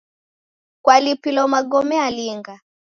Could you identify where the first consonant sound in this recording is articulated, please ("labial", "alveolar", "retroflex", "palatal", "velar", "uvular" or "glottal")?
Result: velar